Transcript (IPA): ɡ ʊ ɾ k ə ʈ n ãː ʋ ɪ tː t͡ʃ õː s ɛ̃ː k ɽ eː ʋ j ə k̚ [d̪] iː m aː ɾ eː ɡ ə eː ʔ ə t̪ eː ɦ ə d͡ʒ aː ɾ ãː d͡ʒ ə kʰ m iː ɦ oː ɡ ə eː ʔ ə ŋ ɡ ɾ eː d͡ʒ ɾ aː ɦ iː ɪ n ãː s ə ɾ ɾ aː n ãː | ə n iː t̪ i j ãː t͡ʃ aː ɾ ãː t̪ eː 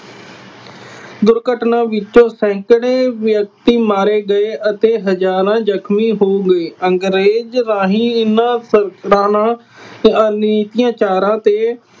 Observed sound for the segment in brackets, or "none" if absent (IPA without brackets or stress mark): t̪